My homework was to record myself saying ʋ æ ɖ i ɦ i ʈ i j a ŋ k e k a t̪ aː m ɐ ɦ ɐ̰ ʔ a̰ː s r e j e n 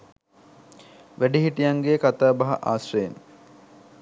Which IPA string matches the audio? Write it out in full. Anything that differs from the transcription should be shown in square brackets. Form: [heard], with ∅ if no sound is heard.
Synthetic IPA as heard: ʋ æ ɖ i ɦ i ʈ i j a ŋ [ɡ] e k a t̪ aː [b] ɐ ɦ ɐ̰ ʔ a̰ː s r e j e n